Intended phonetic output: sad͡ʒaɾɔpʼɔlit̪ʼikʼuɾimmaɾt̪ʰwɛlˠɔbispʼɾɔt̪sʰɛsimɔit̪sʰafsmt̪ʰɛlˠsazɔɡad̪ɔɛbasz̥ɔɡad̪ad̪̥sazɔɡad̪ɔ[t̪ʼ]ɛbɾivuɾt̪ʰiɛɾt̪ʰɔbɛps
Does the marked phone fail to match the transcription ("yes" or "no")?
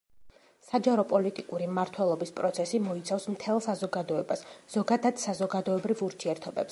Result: yes